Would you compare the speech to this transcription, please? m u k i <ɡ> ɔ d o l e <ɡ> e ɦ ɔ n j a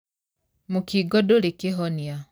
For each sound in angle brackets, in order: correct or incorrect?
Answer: correct, incorrect

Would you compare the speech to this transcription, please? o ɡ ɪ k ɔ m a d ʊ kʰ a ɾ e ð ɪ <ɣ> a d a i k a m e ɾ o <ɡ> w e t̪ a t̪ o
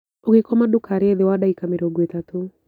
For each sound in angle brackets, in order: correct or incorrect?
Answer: incorrect, correct

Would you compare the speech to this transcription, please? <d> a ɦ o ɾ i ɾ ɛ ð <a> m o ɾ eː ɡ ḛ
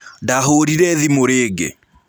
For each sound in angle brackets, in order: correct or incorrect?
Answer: correct, incorrect

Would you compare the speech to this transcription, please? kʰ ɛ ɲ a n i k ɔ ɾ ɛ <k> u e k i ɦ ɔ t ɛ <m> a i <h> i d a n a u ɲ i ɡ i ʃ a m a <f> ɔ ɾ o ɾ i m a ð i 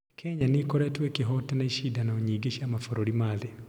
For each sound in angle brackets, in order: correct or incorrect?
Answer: incorrect, incorrect, incorrect, correct

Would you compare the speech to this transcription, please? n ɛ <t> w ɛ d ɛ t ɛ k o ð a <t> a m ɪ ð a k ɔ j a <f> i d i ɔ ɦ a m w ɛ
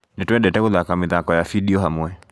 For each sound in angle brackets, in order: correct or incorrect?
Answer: correct, incorrect, correct

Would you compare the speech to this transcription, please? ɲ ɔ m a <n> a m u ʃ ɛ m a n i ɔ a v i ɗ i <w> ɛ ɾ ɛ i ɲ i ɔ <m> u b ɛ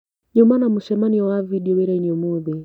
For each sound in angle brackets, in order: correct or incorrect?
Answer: correct, correct, correct

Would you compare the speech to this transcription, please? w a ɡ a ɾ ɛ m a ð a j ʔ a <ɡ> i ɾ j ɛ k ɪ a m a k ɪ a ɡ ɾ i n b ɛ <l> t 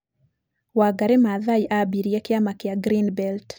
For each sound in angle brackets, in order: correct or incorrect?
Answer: incorrect, correct

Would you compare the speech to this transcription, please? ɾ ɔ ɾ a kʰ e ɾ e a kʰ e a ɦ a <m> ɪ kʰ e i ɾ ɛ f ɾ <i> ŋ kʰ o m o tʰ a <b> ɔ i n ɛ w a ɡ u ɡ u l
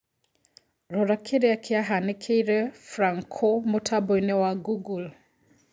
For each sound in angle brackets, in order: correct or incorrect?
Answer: incorrect, incorrect, correct

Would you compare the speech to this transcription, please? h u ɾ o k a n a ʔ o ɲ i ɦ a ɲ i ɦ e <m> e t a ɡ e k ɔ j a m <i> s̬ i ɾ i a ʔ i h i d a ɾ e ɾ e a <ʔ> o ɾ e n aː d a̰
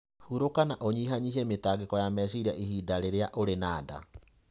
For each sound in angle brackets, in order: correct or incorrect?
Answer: correct, incorrect, correct

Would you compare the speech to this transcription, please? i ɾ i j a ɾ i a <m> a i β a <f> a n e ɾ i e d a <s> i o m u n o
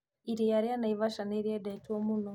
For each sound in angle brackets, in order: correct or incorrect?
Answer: incorrect, incorrect, incorrect

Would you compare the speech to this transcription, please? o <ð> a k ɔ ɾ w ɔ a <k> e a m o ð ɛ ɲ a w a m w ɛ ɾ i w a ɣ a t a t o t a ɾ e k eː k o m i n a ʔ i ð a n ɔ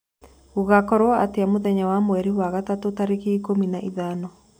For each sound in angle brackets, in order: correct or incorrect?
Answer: incorrect, incorrect

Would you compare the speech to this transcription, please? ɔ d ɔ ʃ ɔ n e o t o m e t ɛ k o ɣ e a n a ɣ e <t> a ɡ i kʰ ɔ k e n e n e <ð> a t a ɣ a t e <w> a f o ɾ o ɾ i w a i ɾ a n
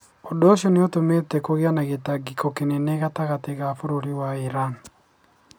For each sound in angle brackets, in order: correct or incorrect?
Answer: correct, incorrect, incorrect

